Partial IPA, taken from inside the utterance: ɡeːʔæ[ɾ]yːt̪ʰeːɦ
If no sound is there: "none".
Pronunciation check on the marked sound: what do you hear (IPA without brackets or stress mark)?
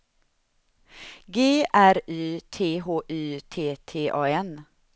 ɾ